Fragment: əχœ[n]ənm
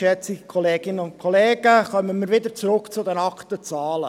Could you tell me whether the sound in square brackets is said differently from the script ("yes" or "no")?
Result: yes